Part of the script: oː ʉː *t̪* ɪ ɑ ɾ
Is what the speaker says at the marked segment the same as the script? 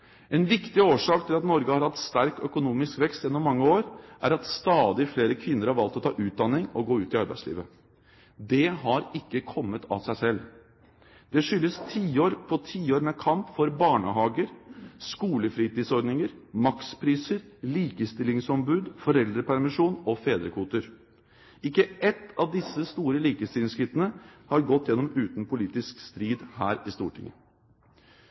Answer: yes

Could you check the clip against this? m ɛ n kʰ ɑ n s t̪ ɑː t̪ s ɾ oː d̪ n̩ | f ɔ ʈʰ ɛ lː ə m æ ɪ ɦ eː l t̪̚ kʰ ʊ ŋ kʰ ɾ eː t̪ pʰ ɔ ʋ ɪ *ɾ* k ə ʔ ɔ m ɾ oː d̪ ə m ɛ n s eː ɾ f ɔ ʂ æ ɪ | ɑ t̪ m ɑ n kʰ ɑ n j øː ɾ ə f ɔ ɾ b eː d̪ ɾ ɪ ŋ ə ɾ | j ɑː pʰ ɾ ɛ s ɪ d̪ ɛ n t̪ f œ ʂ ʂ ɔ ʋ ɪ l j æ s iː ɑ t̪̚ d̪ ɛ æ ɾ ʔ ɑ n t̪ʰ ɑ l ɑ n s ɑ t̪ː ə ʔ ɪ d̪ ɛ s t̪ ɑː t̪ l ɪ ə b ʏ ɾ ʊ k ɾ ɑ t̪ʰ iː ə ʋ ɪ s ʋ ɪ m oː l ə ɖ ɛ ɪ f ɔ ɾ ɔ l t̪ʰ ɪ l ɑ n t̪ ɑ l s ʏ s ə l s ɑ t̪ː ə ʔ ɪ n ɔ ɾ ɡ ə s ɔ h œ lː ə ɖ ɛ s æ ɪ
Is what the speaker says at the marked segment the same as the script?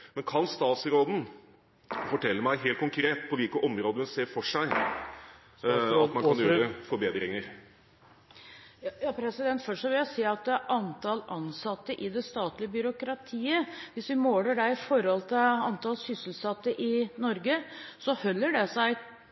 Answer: no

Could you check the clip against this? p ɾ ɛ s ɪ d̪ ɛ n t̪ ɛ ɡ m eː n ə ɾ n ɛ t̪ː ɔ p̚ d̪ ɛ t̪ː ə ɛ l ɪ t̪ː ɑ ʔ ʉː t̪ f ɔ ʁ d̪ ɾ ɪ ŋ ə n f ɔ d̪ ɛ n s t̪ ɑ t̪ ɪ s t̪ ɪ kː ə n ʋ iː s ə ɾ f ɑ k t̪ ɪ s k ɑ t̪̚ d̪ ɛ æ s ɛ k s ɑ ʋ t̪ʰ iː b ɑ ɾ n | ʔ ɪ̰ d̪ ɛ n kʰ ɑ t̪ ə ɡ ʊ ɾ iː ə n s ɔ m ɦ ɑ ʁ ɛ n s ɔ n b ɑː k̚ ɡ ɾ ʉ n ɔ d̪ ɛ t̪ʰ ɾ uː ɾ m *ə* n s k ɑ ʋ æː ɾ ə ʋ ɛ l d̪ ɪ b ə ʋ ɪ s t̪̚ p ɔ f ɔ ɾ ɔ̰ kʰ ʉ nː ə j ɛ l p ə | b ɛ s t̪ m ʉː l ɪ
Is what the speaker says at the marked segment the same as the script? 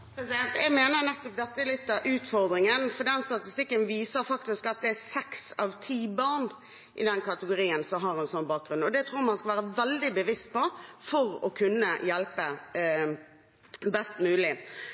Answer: no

